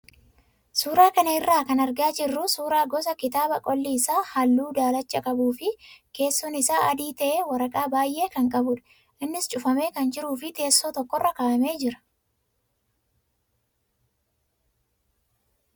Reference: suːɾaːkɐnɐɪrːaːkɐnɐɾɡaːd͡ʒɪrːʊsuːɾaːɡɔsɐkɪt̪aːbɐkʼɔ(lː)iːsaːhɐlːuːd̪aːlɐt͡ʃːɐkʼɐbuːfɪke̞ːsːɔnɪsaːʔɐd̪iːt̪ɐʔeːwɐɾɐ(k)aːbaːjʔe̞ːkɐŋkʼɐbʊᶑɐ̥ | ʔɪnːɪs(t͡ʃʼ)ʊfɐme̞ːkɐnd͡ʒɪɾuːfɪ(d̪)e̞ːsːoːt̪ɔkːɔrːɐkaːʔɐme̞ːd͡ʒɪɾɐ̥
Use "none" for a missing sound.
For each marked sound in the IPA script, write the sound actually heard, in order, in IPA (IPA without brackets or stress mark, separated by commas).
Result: lː, kʼ, t͡ʃʼ, t̪